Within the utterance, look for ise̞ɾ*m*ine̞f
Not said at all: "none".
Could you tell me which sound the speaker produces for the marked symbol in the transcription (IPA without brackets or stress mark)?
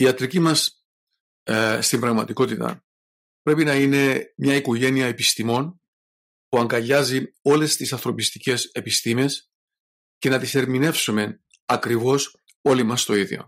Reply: m